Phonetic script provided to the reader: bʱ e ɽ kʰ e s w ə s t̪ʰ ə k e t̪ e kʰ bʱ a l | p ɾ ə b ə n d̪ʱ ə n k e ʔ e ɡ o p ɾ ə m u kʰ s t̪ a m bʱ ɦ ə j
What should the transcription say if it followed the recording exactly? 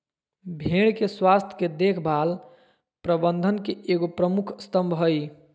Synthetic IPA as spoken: bʱ e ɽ k e s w a s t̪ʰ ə k e d̪ e kʰ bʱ a l | p ɾ ə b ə n d̪ʱ ə n k e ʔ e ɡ o p ɾ ə m u kʰ s t̪ ə m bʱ ɦ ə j